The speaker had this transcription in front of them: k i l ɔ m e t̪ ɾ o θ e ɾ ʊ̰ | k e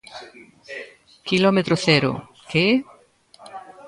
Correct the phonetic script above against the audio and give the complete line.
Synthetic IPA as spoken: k i l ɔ m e t̪ ɾ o θ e ɾ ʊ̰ | k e